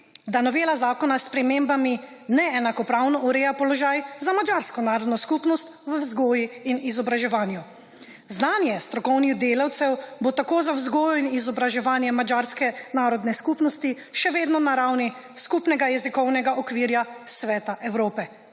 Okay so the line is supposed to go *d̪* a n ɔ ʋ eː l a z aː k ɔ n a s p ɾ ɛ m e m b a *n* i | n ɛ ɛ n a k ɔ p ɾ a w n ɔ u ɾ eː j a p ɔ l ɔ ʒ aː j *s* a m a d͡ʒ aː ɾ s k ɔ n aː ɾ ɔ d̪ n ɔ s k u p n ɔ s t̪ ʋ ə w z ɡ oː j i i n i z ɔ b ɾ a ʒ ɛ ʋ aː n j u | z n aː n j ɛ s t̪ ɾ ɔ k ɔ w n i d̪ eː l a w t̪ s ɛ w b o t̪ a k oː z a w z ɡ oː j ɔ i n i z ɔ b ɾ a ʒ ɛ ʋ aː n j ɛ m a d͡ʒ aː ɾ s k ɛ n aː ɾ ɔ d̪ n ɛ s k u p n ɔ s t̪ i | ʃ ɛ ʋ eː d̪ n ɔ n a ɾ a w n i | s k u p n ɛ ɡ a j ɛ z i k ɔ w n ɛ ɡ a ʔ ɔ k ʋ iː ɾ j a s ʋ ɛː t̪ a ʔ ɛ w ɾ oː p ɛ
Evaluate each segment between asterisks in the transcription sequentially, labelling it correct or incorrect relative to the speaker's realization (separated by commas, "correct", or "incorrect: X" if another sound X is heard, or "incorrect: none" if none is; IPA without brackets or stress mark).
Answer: correct, incorrect: m, incorrect: z